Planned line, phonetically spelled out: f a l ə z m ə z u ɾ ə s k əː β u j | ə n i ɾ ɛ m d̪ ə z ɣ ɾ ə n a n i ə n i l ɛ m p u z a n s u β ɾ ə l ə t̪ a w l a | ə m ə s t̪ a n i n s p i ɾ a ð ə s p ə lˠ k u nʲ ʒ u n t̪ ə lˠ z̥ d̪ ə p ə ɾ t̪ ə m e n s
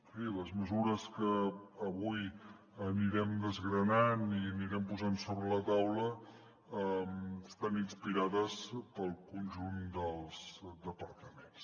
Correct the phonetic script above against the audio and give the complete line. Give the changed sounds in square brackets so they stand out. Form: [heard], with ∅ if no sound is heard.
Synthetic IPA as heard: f [i] l ə z m ə z u ɾ ə s k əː β u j | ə n i ɾ ɛ m d̪ ə z ɣ ɾ ə n a n i ə n i [ɾ] ɛ m p u z a n s [o] β ɾ ə l ə t̪ a w l [ə] | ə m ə s t̪ a n i n s p i ɾ a ð ə s p ə lˠ k u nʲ ʒ u n [d̪] ə lˠ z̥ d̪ ə p ə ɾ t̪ ə m e n s